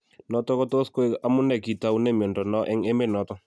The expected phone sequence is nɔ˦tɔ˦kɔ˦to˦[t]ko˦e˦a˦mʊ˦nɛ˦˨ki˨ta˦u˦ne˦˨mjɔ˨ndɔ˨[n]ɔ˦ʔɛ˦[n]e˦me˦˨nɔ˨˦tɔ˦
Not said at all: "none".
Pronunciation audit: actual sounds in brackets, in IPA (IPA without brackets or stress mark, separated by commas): s, n, ŋ